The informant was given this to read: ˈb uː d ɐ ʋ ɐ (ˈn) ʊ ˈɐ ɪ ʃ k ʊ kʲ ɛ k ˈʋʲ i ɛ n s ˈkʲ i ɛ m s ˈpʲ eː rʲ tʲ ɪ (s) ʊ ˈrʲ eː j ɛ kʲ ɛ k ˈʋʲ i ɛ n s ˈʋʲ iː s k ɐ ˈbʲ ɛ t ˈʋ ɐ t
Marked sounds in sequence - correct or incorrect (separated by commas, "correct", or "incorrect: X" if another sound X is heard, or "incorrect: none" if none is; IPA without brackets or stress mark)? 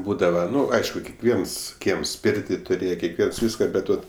correct, incorrect: t